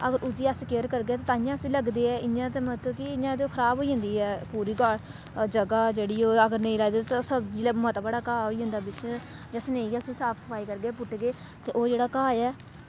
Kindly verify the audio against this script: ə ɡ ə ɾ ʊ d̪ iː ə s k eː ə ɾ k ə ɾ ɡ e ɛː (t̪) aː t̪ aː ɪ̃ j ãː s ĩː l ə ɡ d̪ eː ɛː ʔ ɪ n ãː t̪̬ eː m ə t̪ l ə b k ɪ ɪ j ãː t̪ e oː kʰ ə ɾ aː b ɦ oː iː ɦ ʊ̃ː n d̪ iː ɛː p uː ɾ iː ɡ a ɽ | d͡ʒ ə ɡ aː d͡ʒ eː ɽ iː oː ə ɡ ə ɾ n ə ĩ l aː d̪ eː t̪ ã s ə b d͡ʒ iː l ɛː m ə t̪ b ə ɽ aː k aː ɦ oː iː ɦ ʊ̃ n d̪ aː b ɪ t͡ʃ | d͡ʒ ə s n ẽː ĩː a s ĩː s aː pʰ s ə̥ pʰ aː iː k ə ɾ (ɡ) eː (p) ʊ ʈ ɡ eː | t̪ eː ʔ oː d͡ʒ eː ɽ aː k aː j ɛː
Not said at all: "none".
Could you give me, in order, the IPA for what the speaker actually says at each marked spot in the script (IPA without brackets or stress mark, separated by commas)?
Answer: t̪, ɡ, p